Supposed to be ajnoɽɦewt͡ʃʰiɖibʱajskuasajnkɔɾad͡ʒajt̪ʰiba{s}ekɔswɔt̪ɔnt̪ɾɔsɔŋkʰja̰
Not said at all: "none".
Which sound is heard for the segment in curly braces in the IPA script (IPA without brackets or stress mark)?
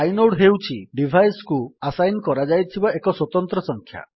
none